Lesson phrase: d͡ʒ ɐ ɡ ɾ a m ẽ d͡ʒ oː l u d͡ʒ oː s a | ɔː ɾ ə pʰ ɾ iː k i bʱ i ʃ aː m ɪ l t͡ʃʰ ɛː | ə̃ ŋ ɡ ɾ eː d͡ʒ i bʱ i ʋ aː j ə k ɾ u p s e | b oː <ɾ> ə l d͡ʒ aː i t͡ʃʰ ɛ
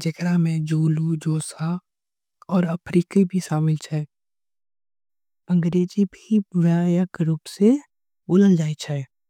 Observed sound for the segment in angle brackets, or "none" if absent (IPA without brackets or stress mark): l